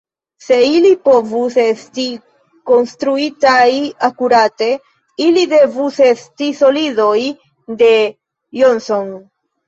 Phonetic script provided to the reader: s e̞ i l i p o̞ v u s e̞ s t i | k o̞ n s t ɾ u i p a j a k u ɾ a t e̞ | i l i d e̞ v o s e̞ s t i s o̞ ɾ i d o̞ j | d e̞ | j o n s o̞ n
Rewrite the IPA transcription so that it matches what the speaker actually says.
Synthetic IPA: s e̞ i l i p o̞ v u s e̞ s t i | k o̞ n s t ɾ u i t a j a k u ɾ a t e̞ | i l i d e̞ v u s e̞ s t i s o̞ l i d o̞ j | d e̞ | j o n s o̞ n